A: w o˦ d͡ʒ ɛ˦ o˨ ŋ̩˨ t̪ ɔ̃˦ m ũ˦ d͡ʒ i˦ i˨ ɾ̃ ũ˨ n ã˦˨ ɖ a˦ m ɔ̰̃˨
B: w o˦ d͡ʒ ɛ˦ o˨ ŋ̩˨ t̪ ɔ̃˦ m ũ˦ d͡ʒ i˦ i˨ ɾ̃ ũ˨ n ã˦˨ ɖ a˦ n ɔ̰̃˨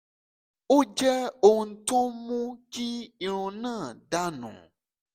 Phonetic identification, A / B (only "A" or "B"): B